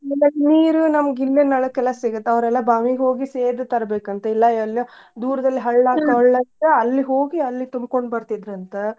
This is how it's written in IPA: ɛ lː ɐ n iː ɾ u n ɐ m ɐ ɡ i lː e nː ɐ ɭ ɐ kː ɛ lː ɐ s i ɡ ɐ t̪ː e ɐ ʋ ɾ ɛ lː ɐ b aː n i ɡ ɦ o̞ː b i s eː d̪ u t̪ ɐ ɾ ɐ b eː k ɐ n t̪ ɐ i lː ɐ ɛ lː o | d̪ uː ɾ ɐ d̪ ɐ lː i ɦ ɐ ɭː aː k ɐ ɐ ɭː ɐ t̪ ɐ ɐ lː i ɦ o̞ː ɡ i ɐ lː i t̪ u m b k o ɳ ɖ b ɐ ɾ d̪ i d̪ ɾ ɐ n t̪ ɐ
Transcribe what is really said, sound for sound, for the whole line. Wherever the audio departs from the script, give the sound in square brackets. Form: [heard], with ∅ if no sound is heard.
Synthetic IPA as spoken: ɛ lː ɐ n iː ɾ u n ɐ m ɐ ɡ i lː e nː ɐ ɭ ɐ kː ɛ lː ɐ s i ɡ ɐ t̪ː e ɐ ʋ ɾ ɛ lː ɐ b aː [m] i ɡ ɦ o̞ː [ɡ] i s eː d̪ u t̪ ɐ ɾ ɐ b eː k ɐ n t̪ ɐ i lː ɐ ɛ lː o | d̪ uː ɾ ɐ d̪ ɐ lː i ɦ ɐ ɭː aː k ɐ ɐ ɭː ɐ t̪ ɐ ɐ lː i ɦ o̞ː ɡ i ɐ lː i t̪ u m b k o ɳ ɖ b ɐ ɾ [t̪] i d̪ ɾ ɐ n t̪ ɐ